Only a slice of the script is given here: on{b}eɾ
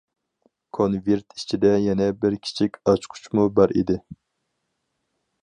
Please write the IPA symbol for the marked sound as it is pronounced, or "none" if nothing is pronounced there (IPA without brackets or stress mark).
v